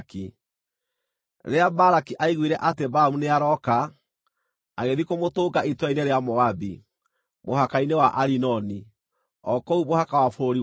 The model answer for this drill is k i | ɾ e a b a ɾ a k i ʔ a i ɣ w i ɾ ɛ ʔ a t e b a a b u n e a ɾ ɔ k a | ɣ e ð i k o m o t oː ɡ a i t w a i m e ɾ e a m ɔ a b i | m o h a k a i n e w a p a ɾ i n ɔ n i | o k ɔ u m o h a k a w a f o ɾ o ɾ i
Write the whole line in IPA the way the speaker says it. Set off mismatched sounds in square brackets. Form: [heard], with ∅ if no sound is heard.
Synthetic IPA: k i | ɾ e a b a ɾ a k i ʔ a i ɣ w i ɾ ɛ ʔ a t e b a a [m] u n e a ɾ ɔ k a | ɣ e ð i k o m o t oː ɡ a i t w a i [n] e ɾ e a m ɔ a b i | m o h a k a i n e w a [ʔ] a ɾ i n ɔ n i | [ɔ] k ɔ u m o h a k a w a f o ɾ o ɾ i